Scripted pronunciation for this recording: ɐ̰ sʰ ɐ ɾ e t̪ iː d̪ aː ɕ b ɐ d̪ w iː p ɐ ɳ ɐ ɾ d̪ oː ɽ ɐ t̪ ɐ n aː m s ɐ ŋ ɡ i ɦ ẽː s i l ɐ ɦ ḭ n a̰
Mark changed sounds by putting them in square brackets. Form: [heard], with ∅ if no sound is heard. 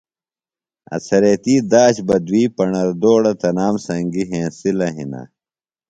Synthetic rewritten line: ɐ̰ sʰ ɐ ɾ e t̪ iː d̪ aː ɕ b ɐ d̪ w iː p ɐ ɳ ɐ ɾ d̪ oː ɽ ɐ t̪ ɐ n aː m s ɐ ŋ ɡ i ɦ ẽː s i l ɐ ɦ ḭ n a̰